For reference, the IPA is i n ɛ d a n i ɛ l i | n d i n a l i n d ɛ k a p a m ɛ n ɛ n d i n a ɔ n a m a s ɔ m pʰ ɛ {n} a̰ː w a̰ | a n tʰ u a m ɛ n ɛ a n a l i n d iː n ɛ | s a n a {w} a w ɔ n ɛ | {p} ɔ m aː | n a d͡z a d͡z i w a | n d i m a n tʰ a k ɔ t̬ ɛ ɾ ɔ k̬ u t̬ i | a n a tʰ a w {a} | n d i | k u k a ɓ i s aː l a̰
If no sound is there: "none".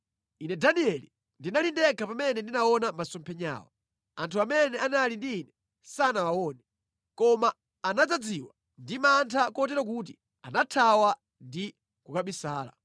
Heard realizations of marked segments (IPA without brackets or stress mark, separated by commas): ɲ, w, k, a